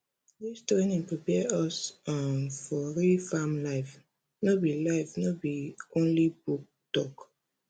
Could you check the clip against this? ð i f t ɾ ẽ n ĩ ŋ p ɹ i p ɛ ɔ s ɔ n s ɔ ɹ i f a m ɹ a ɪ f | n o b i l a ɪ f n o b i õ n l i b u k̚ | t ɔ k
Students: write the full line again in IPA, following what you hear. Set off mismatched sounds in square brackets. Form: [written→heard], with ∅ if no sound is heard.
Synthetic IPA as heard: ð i [f→s] t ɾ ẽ n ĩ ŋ p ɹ i p ɛ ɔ s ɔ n [s→f] ɔ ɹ i f a m [ɹ→l] a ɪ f | n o b i l a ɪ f n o b i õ n l i b u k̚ | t ɔ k